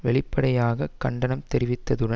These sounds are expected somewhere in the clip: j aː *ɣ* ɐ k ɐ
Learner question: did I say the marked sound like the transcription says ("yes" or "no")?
yes